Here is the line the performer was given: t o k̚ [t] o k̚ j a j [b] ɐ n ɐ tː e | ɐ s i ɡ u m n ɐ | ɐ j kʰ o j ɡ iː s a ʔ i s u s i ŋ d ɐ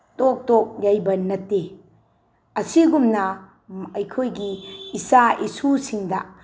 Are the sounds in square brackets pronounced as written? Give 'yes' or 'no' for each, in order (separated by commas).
yes, yes